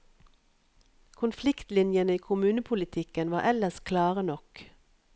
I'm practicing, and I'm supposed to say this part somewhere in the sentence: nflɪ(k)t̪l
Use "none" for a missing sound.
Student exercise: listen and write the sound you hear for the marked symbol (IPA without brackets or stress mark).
k